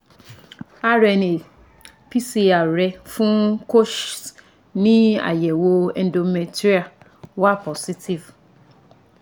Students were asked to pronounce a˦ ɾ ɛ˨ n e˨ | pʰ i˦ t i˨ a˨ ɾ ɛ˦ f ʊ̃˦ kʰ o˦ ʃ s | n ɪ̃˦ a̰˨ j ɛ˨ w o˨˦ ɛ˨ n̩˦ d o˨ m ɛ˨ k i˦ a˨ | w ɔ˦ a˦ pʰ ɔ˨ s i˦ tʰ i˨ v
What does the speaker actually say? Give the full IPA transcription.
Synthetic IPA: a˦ ɾ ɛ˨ n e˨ | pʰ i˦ s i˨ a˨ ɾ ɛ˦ f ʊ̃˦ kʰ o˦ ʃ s | n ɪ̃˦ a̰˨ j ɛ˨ w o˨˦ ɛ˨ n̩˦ d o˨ m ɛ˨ t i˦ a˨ | w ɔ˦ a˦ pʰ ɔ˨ s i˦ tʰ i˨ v